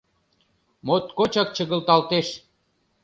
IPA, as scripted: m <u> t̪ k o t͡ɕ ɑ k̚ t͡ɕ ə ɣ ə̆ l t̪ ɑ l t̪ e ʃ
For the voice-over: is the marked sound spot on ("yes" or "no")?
no